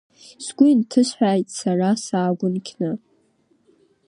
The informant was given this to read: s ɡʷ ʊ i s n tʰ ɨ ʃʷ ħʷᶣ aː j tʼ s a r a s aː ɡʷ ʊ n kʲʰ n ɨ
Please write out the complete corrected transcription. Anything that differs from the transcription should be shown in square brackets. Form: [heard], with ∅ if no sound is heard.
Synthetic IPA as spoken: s ɡʷ ʊ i [∅] n tʰ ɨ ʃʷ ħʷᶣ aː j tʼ s a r a s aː ɡʷ ʊ n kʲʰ n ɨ